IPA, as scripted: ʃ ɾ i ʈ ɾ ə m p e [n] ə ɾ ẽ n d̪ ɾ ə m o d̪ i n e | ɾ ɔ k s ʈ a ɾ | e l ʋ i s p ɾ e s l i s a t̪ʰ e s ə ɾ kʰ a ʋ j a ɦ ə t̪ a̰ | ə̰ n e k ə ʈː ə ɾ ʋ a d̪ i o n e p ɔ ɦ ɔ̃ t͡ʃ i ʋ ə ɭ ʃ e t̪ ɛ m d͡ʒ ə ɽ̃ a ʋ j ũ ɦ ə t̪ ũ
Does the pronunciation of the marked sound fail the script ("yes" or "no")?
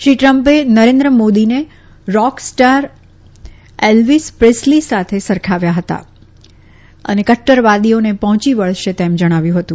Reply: no